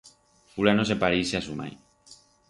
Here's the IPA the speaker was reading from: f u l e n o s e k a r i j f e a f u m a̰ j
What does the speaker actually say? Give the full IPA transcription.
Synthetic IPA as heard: f u l a n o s e p a ɾ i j s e a s u m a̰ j